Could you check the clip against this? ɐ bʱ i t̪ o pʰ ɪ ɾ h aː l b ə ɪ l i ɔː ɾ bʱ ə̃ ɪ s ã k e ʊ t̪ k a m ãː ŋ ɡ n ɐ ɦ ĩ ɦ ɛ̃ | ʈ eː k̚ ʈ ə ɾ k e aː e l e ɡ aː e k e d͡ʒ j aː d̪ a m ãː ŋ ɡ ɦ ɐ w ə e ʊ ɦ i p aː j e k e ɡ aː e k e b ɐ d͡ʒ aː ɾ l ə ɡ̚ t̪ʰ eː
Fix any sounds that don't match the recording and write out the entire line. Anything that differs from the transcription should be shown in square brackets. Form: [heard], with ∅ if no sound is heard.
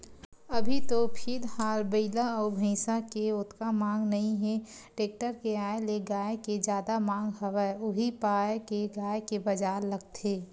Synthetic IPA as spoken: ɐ bʱ i t̪ o pʰ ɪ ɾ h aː l b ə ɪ l [a] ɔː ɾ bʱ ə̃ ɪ s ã k e ʊ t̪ k a m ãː ŋ ɡ n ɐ ɦ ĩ ɦ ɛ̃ | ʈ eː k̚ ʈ ə ɾ k e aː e l e ɡ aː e k e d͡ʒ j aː d̪ a m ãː ŋ ɡ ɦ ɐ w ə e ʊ ɦ i p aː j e k e ɡ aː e k e b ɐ d͡ʒ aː ɾ l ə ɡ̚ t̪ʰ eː